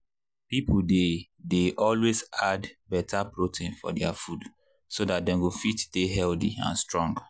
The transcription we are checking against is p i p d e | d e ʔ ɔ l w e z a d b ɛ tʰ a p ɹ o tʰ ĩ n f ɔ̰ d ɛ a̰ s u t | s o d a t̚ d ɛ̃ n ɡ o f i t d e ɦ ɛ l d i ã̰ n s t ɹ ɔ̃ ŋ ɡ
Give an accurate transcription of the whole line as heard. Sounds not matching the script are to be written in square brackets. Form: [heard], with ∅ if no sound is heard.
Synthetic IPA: p i p d e | d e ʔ ɔ l w e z a d b ɛ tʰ a p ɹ o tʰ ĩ n f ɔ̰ d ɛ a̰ [f] u [d] | s o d a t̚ d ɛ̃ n ɡ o f i t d e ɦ ɛ l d i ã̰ n s t ɹ ɔ̃ ŋ ɡ